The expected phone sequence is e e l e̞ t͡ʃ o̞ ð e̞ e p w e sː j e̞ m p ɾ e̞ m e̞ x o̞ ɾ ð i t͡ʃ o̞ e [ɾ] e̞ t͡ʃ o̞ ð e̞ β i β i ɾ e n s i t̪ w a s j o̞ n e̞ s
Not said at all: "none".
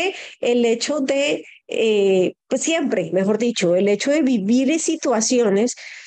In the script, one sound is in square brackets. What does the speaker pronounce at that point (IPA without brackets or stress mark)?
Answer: l